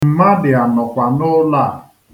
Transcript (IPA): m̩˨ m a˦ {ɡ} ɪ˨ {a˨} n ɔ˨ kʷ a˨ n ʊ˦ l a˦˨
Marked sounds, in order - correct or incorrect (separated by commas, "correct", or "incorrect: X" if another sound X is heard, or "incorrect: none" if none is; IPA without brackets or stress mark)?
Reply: incorrect: d, correct